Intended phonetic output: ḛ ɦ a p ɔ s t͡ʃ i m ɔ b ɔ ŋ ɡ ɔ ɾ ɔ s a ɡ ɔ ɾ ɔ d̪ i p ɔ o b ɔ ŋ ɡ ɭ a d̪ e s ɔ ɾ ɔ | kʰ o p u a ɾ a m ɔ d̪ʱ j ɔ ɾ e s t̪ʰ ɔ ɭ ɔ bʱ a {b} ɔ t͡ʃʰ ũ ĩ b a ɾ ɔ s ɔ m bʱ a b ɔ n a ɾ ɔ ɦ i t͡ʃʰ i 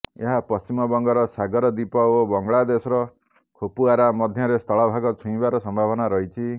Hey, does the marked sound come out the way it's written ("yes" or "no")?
no